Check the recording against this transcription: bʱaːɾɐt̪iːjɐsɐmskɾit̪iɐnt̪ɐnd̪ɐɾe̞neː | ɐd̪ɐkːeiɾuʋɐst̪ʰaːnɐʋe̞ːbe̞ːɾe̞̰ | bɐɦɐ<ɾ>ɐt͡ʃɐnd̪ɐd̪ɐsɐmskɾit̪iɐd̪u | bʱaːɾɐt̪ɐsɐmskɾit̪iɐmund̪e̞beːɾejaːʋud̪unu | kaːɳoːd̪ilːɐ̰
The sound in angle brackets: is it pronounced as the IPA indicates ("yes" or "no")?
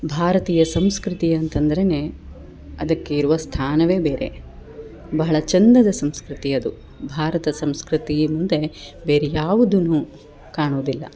no